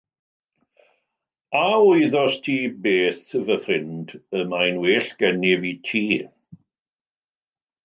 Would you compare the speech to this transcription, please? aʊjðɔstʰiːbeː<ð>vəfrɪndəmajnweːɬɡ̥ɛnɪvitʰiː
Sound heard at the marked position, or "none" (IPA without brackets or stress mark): θ